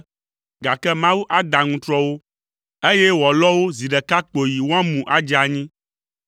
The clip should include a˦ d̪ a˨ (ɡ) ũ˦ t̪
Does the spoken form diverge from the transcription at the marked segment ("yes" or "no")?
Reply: yes